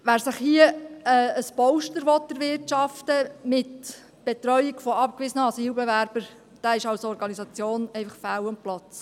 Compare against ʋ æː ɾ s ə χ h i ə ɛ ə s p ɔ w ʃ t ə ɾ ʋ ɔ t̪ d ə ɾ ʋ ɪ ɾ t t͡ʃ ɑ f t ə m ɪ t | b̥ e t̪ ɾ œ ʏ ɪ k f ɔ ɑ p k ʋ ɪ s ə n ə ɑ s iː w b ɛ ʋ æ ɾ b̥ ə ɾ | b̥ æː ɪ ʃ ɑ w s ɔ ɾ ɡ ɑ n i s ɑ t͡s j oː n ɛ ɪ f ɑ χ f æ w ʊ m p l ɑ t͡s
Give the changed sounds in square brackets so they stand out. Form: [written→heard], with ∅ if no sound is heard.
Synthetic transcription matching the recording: ʋ æː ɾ s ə χ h i ə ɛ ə s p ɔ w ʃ t ə ɾ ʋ ɔ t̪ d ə ɾ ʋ ɪ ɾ t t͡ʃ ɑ f t ə m ɪ t | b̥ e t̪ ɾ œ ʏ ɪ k f ɔ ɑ p k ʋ ɪ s ə n ə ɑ s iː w b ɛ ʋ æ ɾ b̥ ə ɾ | [b̥→d̥] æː ɪ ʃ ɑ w s ɔ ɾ ɡ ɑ n i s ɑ t͡s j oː n ɛ ɪ f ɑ χ f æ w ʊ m p l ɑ t͡s